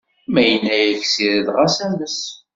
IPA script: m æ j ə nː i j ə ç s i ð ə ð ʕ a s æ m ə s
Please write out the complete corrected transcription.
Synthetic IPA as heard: m æ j ə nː æ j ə ç s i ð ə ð ʁ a s æ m ə s